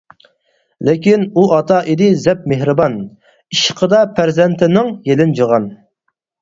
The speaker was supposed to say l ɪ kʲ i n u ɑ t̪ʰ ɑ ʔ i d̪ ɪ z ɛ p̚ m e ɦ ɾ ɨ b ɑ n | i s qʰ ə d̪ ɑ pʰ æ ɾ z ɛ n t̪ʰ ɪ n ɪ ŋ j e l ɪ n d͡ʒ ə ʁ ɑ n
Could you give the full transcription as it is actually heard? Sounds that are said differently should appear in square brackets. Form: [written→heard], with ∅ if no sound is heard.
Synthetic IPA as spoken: l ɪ kʲ i n u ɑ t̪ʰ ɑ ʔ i d̪ ɪ z ɛ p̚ m e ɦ ɾ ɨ b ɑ n | i [s→ʃ] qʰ ə d̪ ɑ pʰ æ ɾ z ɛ n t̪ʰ ɪ n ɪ ŋ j e l ɪ n d͡ʒ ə ʁ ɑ n